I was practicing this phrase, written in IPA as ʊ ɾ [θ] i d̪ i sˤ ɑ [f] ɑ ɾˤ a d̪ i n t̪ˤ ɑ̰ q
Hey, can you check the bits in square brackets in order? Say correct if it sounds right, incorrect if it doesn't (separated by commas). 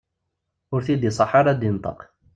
correct, incorrect